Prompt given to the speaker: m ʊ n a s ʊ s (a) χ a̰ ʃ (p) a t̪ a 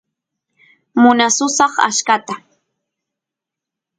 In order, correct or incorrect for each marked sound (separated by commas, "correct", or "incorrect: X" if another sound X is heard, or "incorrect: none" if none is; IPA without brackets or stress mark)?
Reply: incorrect: ɑ, incorrect: k